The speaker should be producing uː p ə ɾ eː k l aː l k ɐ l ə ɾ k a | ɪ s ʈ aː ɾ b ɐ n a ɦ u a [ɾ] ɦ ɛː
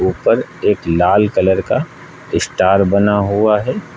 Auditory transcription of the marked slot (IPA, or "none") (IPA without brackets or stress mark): none